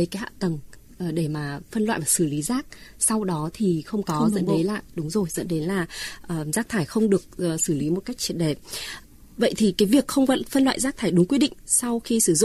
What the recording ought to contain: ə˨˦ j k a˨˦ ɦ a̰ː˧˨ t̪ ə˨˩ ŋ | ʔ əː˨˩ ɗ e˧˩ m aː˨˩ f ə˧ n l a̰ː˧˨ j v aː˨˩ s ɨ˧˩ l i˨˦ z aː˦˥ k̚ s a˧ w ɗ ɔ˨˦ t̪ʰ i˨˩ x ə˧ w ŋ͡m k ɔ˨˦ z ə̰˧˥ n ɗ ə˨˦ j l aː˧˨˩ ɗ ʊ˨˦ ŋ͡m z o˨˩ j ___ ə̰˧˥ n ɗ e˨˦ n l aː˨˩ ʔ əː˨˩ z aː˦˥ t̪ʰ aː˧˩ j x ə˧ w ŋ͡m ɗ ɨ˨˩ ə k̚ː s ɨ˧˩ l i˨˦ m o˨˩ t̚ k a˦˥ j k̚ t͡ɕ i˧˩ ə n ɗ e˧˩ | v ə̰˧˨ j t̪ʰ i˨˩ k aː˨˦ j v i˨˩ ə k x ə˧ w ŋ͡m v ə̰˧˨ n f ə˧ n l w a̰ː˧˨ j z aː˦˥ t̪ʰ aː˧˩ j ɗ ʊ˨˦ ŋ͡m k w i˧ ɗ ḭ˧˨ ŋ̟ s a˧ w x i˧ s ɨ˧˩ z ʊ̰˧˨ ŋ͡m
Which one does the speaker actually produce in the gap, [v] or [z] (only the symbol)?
z